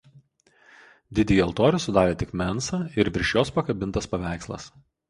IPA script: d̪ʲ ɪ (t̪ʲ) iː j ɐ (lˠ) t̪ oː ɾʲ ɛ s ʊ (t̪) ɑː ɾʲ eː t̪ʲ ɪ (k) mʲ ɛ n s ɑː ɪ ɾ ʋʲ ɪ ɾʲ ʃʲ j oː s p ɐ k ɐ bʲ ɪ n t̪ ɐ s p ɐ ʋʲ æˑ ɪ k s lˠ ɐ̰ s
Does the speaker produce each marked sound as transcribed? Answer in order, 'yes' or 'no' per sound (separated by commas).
no, yes, no, yes